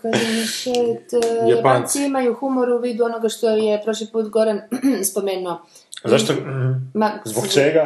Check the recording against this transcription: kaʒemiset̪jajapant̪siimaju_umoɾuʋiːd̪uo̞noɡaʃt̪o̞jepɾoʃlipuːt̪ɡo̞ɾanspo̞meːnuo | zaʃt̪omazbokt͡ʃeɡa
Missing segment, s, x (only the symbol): x